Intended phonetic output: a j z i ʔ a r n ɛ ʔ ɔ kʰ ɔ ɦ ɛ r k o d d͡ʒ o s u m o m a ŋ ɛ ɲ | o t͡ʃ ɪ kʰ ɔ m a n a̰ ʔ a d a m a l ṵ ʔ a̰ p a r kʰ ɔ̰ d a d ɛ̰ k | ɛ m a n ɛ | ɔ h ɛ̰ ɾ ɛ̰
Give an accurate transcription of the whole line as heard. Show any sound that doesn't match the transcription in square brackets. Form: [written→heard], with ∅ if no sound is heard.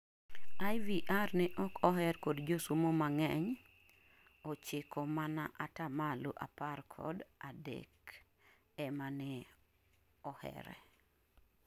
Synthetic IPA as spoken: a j [z→v] i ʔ a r n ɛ ʔ ɔ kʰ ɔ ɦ ɛ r k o d d͡ʒ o s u m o m a ŋ ɛ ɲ | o t͡ʃ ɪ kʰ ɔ m a n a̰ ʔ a [d→t] a m a l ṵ ʔ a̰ p a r kʰ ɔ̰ d a d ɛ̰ k | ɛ m a n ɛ | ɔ h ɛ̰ ɾ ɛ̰